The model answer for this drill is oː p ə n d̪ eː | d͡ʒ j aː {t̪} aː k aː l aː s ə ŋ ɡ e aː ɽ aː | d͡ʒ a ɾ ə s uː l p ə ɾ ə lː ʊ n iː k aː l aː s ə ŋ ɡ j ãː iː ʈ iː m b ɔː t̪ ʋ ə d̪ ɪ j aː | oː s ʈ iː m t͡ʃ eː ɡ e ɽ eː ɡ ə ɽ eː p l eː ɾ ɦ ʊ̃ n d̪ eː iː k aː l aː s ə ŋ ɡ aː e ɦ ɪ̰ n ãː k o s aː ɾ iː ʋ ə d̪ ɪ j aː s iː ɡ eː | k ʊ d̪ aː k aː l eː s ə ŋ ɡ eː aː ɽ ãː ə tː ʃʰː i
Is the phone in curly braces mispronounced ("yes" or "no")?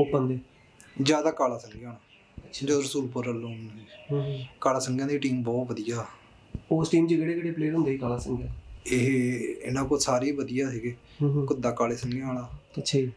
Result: yes